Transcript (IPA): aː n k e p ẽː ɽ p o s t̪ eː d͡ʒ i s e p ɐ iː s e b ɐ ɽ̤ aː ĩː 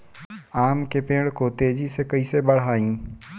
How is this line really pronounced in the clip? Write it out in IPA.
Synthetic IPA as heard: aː m k e p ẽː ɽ k o t̪ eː d͡ʒ i s e k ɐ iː s e b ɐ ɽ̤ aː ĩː

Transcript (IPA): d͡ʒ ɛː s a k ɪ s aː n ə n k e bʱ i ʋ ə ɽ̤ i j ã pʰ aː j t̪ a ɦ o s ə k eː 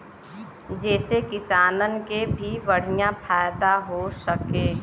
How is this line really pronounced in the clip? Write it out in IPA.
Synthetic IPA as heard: d͡ʒ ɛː s e k ɪ s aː n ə n k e bʱ i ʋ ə ɽ̤ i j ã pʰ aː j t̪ a ɦ o s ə k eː

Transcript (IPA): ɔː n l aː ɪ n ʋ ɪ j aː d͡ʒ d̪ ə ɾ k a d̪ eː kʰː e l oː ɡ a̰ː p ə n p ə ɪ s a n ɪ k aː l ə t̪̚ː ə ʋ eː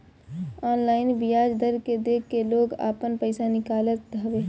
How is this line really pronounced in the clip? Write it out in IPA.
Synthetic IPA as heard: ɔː n l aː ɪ n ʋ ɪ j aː d͡ʒ d̪ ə ɾ k e d̪ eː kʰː e l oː ɡ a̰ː p ə n p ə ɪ s a n ɪ k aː l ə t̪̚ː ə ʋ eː

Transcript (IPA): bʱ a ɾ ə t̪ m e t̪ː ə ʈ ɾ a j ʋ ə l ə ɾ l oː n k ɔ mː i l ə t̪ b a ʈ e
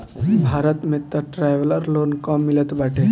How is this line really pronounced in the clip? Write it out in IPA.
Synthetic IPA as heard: bʱ a ɾ ə t̪ m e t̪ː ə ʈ ɾ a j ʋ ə l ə ɾ l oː n k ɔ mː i l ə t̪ b a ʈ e

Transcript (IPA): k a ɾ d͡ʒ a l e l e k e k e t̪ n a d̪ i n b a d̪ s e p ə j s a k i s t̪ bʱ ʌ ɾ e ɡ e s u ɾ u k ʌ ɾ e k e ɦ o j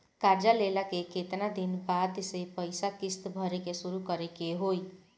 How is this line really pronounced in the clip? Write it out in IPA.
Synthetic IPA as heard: k a ɾ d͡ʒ a l e l a k e k e t̪ n a d̪ i n b a d̪ s e p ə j s a k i s t̪ bʱ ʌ ɾ e k e s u ɾ u k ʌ ɾ e k e ɦ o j

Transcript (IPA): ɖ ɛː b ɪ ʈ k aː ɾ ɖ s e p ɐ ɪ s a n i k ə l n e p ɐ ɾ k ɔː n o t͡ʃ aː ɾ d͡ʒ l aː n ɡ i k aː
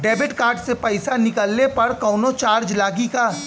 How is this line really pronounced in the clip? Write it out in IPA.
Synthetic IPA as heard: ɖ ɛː b ɪ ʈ k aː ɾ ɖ s e p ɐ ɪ s a n ɪ k ə l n e p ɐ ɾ k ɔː n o t͡ʃ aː ɾ d͡ʒ l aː ɡ i k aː

